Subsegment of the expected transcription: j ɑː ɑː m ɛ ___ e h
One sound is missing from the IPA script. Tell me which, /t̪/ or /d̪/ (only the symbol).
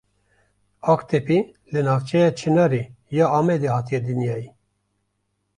d̪